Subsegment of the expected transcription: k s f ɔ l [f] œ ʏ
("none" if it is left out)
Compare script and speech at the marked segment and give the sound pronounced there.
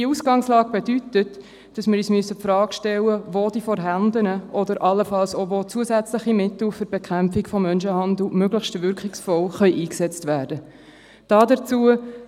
χ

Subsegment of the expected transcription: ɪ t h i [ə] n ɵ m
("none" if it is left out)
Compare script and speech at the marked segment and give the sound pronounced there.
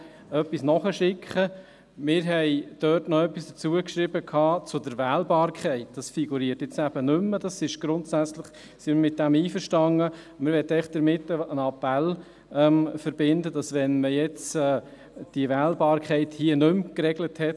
ə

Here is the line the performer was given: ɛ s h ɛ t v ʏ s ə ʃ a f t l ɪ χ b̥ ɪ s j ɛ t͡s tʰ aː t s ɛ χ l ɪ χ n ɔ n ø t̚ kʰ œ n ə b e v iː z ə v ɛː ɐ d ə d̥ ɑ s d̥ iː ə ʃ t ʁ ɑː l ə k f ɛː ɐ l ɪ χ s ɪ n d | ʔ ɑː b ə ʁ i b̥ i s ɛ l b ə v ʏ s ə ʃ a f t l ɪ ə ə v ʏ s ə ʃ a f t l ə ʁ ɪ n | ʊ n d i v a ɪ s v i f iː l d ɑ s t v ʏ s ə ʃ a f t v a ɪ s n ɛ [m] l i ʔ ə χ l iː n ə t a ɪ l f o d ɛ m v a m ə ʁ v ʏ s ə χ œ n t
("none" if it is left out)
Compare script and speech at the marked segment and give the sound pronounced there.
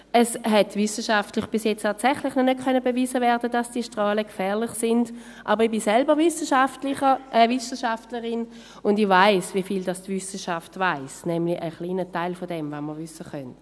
m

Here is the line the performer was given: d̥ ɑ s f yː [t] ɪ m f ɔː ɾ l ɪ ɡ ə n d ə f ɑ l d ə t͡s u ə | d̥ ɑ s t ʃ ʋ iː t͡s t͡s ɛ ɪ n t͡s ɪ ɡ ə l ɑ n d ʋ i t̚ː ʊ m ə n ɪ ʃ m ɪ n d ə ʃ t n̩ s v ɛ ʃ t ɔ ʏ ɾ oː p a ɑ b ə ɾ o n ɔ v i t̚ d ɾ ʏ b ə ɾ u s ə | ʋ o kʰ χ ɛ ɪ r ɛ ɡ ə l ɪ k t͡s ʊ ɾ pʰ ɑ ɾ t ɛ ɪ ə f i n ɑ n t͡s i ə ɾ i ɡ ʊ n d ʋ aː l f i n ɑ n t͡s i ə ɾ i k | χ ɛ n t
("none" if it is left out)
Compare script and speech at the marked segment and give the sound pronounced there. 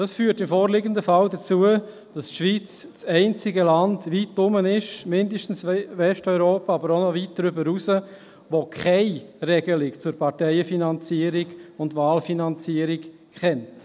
t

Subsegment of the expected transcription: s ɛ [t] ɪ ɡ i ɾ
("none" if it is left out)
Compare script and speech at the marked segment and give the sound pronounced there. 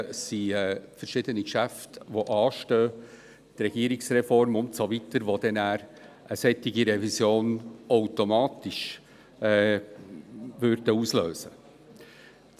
t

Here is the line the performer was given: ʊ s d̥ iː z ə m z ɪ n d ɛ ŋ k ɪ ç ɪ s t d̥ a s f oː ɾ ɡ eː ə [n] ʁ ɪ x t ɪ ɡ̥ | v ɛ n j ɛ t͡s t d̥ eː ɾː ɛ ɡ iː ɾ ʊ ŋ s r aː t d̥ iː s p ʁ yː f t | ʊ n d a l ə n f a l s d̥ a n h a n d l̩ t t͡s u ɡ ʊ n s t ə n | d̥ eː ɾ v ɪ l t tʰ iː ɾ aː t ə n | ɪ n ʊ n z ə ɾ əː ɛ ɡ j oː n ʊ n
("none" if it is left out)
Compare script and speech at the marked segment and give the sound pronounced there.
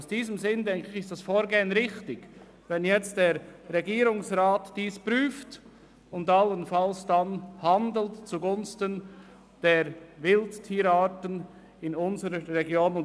n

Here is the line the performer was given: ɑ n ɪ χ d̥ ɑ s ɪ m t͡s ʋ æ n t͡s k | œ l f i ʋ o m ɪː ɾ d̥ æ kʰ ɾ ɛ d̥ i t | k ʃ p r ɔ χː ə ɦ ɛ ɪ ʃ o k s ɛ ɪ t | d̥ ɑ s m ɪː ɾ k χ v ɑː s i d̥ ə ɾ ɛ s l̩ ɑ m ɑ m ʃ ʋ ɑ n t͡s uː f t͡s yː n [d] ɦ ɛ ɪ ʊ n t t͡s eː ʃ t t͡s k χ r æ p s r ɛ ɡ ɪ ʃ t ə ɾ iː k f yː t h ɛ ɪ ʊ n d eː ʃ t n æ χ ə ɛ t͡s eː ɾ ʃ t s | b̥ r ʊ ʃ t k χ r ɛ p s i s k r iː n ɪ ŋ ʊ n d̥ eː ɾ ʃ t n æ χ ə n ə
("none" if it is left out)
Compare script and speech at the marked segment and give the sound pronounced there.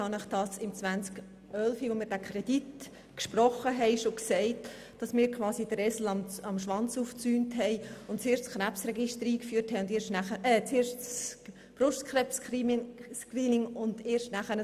t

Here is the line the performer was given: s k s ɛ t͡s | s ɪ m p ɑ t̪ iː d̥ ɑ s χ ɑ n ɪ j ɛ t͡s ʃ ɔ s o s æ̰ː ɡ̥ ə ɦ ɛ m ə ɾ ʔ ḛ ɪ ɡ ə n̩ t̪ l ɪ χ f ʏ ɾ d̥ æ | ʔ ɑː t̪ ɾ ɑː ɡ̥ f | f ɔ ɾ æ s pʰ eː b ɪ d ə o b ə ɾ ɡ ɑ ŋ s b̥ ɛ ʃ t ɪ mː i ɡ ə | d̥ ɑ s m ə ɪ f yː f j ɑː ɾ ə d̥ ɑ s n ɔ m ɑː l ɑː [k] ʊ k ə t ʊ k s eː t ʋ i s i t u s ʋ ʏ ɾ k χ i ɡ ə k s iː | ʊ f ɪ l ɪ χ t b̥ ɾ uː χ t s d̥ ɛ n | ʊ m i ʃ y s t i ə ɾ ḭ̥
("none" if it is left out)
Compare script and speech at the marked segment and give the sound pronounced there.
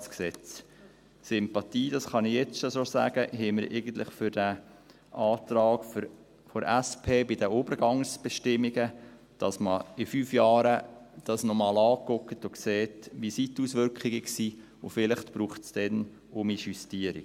k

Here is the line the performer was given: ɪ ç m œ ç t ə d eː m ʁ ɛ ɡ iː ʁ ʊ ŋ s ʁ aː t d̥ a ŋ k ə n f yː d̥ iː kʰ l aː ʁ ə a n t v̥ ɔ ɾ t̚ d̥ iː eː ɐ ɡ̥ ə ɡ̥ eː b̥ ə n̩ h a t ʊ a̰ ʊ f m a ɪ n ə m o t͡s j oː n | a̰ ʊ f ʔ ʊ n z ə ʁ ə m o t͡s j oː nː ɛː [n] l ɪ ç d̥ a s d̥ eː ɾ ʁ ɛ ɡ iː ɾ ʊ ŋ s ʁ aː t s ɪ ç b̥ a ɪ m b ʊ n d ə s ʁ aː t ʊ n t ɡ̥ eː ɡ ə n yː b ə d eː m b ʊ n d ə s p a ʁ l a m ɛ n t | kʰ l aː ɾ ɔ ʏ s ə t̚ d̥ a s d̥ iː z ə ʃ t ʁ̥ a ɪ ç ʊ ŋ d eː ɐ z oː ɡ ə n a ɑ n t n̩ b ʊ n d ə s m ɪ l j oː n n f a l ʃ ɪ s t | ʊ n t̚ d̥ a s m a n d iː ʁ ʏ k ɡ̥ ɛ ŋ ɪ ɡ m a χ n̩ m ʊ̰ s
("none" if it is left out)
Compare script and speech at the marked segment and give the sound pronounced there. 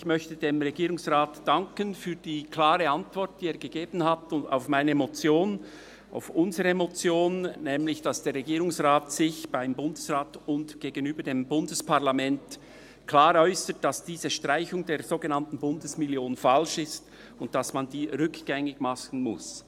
m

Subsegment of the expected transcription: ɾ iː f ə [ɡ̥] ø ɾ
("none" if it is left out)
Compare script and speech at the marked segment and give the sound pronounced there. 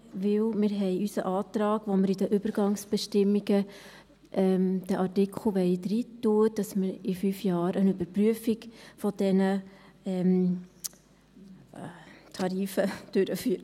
d̥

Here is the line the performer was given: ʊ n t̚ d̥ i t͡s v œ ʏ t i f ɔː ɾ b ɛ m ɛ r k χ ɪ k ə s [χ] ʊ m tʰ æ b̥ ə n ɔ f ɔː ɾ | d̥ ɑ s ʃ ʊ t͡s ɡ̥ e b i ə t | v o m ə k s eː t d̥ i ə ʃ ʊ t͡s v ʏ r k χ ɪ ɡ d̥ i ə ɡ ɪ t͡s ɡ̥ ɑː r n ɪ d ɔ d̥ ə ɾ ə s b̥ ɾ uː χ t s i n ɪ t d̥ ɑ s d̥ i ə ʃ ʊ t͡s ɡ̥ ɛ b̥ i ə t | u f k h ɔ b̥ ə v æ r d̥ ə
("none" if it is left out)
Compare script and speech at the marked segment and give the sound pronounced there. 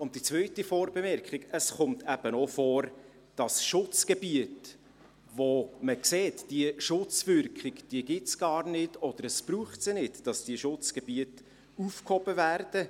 χ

